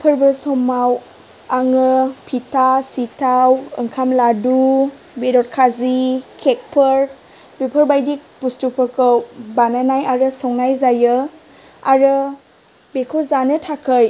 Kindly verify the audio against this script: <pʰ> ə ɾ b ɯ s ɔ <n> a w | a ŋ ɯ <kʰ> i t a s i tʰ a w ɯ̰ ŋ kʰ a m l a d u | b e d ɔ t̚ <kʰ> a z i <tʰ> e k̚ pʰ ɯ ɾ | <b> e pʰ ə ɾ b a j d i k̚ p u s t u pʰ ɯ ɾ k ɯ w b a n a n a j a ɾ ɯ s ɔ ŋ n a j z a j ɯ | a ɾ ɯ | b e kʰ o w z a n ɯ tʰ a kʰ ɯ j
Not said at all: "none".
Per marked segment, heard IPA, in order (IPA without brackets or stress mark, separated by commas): pʰ, m, pʰ, kʰ, kʰ, b